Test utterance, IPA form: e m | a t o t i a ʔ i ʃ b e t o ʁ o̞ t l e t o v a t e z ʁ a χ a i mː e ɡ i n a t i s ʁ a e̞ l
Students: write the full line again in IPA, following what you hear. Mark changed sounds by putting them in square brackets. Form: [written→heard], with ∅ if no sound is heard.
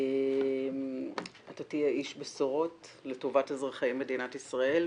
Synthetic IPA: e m | a t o t i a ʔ i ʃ b e [t→s] o ʁ o̞ t l e t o v a t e z ʁ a χ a i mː e [ɡ→d] i n a t i s ʁ a e̞ l